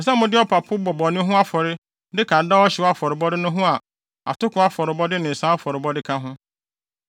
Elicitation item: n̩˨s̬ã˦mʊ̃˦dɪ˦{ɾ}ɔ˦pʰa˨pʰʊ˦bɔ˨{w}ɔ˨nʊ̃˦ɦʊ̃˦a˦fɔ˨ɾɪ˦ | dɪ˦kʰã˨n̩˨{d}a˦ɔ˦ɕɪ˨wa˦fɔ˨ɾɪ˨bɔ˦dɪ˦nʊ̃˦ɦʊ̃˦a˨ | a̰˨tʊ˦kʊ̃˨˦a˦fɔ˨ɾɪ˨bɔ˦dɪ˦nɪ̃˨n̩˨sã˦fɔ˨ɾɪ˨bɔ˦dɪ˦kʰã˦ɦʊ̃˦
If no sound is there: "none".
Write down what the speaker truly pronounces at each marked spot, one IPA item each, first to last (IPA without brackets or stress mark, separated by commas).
none, b, d